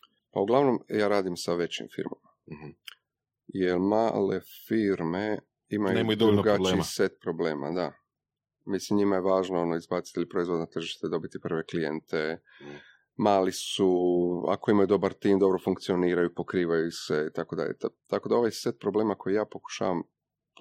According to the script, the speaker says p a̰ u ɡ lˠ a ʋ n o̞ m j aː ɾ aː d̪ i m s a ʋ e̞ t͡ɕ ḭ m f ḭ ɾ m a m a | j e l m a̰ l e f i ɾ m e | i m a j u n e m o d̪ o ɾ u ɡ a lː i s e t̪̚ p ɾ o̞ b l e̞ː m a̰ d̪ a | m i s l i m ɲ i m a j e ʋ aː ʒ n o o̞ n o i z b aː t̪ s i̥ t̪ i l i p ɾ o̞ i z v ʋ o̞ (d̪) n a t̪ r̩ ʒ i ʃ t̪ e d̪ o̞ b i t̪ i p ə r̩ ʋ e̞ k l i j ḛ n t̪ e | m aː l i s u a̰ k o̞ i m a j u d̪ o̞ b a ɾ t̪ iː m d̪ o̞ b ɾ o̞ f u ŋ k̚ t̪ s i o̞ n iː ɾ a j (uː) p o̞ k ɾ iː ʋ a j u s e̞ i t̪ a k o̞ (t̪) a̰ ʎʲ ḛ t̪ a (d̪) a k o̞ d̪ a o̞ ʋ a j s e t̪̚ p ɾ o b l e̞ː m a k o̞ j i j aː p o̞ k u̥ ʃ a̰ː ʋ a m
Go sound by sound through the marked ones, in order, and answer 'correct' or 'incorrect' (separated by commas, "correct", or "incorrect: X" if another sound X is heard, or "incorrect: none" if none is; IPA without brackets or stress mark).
correct, incorrect: u, incorrect: d̪, incorrect: t̪